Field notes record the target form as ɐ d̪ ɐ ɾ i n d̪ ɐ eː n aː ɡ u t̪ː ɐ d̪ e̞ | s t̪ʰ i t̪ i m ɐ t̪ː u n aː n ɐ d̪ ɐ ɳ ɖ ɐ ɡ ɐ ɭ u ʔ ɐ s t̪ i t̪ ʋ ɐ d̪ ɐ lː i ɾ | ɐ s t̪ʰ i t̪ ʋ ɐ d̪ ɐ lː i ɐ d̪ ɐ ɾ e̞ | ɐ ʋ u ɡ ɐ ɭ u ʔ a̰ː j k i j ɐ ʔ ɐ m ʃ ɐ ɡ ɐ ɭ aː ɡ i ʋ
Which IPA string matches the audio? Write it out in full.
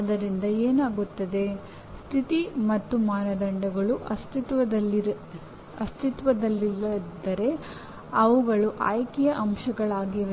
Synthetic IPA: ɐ d̪ ɐ ɾ i n d̪ ɐ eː n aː ɡ u t̪ː ɐ d̪ e̞ | s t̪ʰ i t̪ i m ɐ t̪ː u m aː n ɐ d̪ ɐ ɳ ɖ ɐ ɡ ɐ ɭ u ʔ ɐ s t̪ i t̪ ʋ ɐ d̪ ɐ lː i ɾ | ɐ s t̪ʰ i t̪ ʋ ɐ d̪ ɐ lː i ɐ d̪ ɐ ɾ e̞ | ɐ ʋ u ɡ ɐ ɭ u ʔ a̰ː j k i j ɐ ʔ ɐ m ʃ ɐ ɡ ɐ ɭ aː ɡ i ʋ